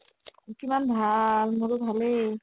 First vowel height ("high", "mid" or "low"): high